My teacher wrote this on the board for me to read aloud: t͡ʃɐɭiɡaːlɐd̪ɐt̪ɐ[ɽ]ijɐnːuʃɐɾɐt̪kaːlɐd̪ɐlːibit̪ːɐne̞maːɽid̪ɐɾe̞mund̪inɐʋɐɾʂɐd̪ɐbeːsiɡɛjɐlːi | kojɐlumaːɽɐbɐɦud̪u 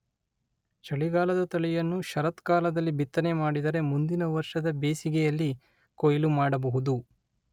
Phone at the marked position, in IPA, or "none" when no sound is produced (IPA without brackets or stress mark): ɭ